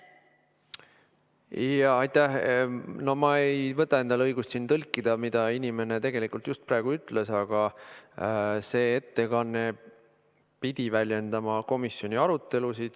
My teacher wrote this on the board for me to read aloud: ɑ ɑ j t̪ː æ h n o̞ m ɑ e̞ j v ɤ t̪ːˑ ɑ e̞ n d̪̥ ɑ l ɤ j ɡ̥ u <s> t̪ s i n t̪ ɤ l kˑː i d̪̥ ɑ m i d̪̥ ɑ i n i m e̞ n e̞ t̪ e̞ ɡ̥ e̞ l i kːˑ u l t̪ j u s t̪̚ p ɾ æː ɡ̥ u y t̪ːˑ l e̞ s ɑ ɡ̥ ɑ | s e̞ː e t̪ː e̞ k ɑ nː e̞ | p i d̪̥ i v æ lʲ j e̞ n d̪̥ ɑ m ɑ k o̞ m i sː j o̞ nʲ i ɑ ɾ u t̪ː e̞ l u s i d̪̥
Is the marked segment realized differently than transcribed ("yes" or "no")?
no